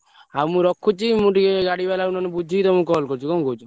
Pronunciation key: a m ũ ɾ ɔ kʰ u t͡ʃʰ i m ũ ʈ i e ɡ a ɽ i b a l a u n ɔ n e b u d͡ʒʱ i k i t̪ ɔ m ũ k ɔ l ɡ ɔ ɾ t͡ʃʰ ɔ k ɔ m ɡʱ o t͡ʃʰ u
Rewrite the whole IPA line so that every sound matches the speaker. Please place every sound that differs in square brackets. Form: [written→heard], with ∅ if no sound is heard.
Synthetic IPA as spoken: a m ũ ɾ ɔ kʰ u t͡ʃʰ i m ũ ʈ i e ɡ a ɽ i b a l a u n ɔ n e b u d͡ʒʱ i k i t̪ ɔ m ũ k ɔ l [ɡ→k] ɔ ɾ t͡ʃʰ [ɔ→u] k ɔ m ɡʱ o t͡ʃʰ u